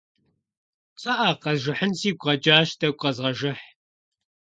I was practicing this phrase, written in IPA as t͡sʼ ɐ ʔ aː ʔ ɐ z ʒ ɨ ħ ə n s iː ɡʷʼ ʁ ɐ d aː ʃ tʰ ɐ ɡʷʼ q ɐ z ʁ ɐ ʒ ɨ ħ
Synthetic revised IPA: t͡sʼ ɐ ʔ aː q ɐ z ʒ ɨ ħ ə n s iː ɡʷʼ ʁ ɐ d͡ʒ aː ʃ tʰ ɐ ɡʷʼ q ɐ z ʁ ɐ ʒ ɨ ħ